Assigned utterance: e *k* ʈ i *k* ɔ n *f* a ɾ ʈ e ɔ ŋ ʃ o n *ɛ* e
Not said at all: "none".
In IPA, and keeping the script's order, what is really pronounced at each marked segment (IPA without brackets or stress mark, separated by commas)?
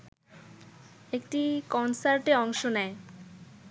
k, k, s, ɛ